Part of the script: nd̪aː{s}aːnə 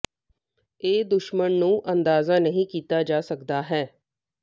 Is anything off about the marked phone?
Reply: yes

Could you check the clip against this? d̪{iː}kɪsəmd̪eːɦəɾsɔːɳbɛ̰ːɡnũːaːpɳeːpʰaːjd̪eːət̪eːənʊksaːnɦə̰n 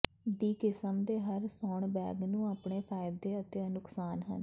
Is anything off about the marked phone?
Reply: no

